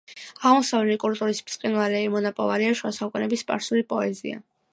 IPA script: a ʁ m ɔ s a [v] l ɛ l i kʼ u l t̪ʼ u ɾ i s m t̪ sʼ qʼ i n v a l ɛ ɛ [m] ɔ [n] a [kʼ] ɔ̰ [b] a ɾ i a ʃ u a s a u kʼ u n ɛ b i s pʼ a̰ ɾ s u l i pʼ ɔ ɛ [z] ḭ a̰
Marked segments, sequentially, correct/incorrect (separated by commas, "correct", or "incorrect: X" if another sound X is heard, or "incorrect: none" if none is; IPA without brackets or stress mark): correct, correct, correct, incorrect: pʼ, incorrect: v, correct